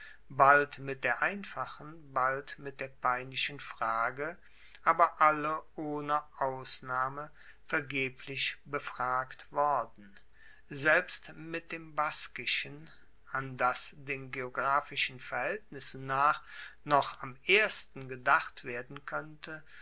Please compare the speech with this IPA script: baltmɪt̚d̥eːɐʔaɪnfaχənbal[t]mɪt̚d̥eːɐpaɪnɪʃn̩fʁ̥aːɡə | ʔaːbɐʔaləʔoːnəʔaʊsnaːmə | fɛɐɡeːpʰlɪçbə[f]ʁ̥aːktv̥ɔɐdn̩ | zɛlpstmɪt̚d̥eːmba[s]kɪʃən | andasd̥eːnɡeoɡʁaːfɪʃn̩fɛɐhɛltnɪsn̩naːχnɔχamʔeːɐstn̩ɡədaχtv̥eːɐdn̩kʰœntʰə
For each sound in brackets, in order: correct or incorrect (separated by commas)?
correct, correct, correct